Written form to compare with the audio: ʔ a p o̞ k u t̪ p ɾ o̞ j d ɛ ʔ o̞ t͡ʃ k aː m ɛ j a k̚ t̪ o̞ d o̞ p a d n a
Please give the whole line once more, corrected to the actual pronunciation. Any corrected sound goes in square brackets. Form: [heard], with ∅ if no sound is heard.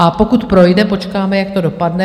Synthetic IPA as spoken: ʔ a p o̞ k u t̪ p ɾ o̞ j d ɛ [p] o̞ t͡ʃ k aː m ɛ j a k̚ t̪ o̞ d o̞ p a d n [ɛ]